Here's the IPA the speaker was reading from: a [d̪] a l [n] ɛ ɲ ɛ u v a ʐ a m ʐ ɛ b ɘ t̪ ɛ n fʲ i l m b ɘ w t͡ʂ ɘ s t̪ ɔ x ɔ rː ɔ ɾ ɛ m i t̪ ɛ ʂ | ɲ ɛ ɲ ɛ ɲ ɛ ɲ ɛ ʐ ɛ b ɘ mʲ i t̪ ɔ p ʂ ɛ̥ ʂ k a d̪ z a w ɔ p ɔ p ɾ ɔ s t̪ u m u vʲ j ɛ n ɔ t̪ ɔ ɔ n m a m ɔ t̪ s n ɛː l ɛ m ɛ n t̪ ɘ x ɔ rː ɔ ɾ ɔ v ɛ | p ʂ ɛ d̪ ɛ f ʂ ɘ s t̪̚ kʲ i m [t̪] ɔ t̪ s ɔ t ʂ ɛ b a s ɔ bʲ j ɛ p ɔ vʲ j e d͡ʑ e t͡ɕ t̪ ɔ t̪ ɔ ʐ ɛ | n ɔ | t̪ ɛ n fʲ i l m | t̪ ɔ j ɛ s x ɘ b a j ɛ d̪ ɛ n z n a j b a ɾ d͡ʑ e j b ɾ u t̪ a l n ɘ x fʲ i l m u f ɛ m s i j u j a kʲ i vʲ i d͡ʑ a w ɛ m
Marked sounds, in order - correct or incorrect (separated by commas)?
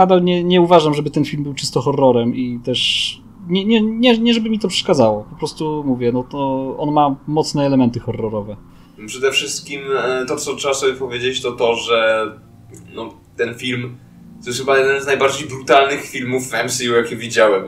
correct, incorrect, correct